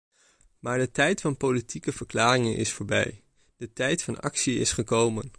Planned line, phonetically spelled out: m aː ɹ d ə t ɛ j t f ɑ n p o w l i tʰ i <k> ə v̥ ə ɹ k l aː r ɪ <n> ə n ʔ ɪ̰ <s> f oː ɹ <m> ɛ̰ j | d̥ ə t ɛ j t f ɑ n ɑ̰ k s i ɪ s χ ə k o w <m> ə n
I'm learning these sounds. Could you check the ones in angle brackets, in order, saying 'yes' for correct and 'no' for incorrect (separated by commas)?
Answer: yes, no, yes, no, yes